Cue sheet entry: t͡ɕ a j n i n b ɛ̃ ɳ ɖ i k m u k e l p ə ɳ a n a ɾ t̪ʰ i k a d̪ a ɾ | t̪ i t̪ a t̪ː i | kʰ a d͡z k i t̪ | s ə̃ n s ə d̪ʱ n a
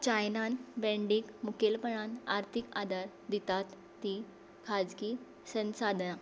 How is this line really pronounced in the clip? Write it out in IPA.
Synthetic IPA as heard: t͡ɕ a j n a n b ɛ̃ ɳ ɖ i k m u k e l p ə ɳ a n a ɾ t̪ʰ i k a d̪ a ɾ | d̪ i t̪ a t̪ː i | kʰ a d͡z k i | s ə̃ n s a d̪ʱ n a

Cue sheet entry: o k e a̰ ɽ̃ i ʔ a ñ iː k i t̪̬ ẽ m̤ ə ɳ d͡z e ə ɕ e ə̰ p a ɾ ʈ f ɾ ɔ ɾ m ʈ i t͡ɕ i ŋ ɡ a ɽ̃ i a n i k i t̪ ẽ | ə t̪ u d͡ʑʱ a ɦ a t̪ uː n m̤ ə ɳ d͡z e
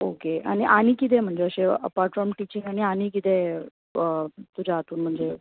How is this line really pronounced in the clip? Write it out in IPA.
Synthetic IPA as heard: o k e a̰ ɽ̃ i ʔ a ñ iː k i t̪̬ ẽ m̤ ə ɳ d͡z e ə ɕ e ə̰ p a ɾ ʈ f ɾ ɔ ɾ m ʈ i t͡ɕ i ŋ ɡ a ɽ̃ i a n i k i t̪ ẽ | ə t̪ u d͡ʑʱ a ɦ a t̪ uː n m̤ ə ɳ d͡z e

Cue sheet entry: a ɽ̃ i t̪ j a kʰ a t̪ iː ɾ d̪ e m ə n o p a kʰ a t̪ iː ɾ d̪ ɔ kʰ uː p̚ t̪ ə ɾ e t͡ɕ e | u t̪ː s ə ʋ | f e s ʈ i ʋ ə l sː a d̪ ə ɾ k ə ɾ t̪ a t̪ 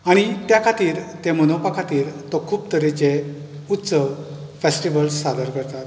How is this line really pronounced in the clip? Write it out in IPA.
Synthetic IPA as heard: a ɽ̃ i t̪ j a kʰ a t̪ iː ɾ t̪ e m ə n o p a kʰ a t̪ iː ɾ t̪ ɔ kʰ uː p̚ t̪ ə ɾ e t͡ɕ e | u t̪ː s ə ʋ | f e s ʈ i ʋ ə l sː a d̪ ə ɾ k ə ɾ t̪ a t̪

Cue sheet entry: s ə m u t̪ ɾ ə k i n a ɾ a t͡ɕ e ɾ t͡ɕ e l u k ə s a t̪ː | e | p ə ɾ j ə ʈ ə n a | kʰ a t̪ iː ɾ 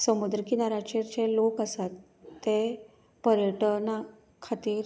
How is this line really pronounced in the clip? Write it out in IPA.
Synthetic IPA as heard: s ə m u d̪ ɾ ə k i n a ɾ a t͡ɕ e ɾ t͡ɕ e l o k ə s a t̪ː | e | p ə ɾ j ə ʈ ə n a | kʰ a t̪ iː ɾ

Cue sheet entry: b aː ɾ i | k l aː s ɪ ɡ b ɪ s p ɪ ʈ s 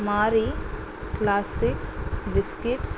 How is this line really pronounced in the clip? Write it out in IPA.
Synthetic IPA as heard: m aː ɾ i | k l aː s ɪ k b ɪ s k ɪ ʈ s

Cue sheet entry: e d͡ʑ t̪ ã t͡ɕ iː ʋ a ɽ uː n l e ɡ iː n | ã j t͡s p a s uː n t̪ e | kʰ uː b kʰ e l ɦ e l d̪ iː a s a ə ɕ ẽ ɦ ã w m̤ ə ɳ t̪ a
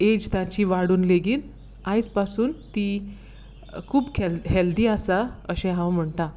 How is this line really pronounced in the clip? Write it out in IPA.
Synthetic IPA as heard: e d͡ʑ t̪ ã t͡ɕ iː ʋ a ɽ uː n l e ɡ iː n | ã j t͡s p a s uː n t̪ i | kʰ uː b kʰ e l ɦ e l d̪ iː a s a ə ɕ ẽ ɦ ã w m̤ ə ɳ t̪ a

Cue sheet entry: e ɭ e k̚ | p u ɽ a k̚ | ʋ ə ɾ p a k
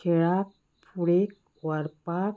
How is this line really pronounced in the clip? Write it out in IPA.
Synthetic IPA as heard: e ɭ a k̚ | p u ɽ e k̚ | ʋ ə ɾ p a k

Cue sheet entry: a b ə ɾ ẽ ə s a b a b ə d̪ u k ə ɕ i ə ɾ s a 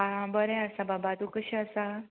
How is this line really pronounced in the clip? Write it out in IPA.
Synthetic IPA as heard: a b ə ɾ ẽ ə s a b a b a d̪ u k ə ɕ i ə s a

